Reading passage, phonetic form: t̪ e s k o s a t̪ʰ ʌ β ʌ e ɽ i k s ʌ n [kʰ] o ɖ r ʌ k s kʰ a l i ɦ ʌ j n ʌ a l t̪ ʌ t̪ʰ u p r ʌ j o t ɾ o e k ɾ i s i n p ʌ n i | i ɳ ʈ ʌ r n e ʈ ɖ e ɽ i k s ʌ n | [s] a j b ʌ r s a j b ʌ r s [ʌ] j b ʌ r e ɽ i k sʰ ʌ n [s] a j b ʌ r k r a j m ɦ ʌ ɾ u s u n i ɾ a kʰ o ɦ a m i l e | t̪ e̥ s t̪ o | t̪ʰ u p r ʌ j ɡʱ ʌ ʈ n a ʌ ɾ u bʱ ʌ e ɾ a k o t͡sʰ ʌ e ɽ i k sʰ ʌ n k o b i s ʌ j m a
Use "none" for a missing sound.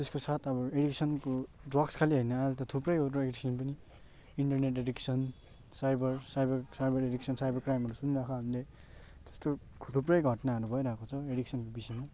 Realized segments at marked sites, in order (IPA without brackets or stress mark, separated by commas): k, s, a, s